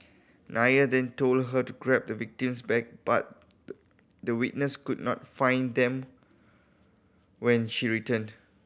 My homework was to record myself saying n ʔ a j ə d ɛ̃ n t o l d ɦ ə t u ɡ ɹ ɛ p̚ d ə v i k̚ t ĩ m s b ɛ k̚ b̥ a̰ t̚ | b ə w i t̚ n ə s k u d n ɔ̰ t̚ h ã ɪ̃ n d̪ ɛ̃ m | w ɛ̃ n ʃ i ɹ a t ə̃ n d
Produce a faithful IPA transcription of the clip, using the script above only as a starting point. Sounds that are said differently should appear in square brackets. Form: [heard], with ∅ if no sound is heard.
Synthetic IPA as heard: n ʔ a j ə d ɛ̃ n t o l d ɦ ə t u ɡ ɹ ɛ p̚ d ə v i k̚ t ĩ m s b ɛ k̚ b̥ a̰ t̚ | [d] ə w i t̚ n ə s k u d n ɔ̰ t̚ [f] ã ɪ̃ n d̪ ɛ̃ m | w ɛ̃ n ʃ i ɹ [i] t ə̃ n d